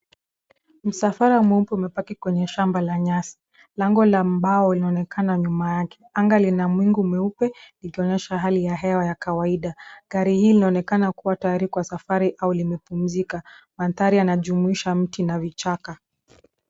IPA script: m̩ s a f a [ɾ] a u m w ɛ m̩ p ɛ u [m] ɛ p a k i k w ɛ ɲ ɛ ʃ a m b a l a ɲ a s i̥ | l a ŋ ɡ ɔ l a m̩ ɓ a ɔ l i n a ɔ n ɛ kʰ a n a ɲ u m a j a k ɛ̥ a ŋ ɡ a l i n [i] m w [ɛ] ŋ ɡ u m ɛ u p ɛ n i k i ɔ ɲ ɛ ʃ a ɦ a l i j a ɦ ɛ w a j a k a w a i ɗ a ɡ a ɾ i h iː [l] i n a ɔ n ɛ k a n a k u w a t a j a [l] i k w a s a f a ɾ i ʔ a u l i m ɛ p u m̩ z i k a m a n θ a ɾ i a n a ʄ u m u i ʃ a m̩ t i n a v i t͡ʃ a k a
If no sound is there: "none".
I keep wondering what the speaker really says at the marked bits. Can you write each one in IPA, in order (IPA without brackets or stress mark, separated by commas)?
ɾ, m, a, i, l, ɾ